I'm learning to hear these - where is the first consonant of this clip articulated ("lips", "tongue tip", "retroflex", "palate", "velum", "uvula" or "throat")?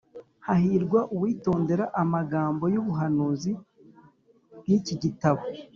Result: throat